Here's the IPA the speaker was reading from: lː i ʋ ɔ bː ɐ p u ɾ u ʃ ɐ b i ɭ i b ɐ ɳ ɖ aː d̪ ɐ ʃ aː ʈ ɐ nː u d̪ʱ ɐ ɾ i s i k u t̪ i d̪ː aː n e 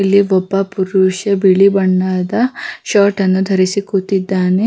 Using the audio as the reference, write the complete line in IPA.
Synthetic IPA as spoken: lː i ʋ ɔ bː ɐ p u ɾ u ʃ ɐ b i ɭ i b ɐ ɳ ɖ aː d̪ ɐ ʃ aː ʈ ɐ nː u d̪ʱ ɐ ɾ i s i k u t̪ i d̪ː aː n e